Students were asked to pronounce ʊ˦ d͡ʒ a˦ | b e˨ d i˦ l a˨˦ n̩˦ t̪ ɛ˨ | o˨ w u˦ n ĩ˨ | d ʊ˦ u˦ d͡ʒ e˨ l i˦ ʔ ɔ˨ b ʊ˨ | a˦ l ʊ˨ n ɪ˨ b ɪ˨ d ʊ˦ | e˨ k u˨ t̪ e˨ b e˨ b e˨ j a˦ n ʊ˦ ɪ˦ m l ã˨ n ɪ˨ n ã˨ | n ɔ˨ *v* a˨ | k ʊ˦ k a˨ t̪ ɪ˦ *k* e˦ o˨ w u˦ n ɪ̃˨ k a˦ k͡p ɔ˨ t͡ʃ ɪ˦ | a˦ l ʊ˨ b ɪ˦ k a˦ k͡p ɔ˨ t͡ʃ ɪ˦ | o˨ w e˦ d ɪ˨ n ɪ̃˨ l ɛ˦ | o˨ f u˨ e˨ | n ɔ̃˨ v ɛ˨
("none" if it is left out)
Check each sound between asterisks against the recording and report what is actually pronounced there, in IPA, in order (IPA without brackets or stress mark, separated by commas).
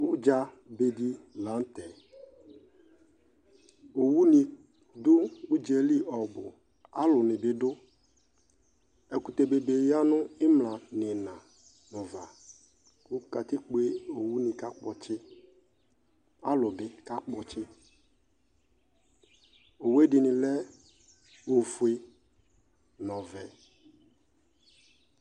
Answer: v, k͡p